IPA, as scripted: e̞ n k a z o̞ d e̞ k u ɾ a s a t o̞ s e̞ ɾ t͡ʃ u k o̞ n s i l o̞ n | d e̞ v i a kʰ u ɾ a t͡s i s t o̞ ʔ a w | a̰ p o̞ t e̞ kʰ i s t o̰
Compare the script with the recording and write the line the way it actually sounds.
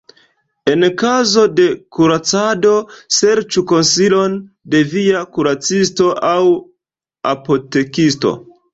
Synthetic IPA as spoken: e̞ n k a z o̞ d e̞ k u ɾ a t͡s a d o̞ s e̞ ɾ t͡ʃ u k o̞ n s i l o̞ n | d e̞ v i a k u ɾ a t͡s i s t o̞ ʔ a w | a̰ p o̞ t e̞ k i s t o̰